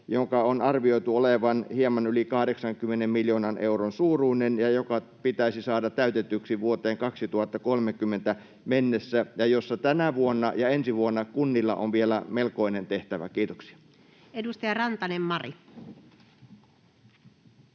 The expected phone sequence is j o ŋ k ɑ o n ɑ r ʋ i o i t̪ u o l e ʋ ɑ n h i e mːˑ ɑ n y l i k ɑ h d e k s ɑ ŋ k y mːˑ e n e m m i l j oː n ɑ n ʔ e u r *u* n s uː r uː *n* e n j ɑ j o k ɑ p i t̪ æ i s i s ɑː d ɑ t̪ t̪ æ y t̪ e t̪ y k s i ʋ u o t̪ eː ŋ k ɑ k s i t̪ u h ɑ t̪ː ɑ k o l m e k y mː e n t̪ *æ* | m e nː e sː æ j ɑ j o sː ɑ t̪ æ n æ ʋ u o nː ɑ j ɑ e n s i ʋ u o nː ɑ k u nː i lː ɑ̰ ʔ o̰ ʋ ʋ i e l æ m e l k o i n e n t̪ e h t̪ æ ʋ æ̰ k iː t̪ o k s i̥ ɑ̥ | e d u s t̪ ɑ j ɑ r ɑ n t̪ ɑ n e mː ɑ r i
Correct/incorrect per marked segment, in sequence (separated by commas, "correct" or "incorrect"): incorrect, correct, correct